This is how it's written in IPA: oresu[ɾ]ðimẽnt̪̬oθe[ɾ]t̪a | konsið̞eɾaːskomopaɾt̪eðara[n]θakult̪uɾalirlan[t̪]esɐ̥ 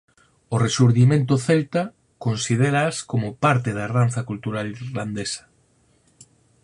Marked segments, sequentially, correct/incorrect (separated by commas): correct, incorrect, correct, incorrect